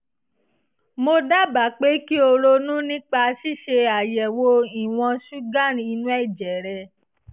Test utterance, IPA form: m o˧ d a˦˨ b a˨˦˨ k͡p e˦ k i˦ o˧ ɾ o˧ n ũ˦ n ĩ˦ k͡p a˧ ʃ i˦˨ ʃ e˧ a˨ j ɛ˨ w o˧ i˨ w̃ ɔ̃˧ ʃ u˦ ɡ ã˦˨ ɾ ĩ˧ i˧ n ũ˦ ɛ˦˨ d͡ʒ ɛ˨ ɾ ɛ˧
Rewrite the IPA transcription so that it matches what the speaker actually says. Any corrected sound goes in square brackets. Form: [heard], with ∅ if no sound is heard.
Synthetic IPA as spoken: m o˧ d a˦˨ b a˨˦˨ k͡p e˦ k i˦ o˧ ɾ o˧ n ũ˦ n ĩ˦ k͡p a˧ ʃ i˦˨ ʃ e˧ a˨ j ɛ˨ w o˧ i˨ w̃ ɔ̃˧ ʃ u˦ ɡ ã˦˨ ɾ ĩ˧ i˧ n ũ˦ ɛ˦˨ d͡ʒ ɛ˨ ɾ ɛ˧